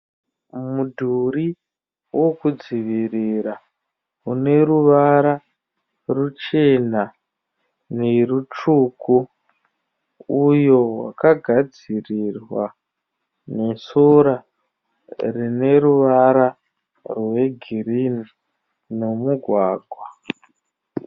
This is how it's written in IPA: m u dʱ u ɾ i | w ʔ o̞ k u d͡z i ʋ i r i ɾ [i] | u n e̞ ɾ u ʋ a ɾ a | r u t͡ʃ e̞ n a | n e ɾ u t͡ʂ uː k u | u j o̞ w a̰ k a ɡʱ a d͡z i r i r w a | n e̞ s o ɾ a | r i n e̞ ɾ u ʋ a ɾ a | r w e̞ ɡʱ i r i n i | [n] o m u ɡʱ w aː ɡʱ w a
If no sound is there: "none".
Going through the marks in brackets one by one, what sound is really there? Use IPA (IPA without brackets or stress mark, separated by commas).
a, n